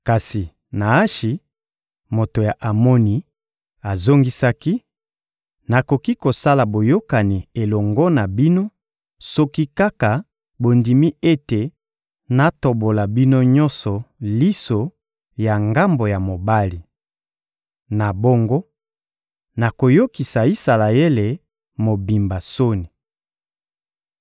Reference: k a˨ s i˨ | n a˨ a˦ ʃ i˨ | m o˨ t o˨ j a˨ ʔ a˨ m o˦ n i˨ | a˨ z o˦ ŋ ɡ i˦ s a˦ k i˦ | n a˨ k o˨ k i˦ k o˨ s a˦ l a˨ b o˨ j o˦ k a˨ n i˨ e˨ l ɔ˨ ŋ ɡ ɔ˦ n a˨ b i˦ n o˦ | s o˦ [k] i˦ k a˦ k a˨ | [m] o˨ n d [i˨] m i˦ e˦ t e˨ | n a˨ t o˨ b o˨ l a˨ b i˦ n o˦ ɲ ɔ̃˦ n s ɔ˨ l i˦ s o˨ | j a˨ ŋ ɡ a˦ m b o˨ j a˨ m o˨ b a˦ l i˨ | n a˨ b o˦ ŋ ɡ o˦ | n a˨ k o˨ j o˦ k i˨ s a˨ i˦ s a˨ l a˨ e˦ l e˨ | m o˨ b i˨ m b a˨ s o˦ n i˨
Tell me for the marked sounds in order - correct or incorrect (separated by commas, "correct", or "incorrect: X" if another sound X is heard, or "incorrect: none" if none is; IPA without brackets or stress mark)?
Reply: correct, incorrect: b, correct